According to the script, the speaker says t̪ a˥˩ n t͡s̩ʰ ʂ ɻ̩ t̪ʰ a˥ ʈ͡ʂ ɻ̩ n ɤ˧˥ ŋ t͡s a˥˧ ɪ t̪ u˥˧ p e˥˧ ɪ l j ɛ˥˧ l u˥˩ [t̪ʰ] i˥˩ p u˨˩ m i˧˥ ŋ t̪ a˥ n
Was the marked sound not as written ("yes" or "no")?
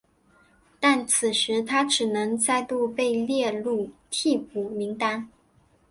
no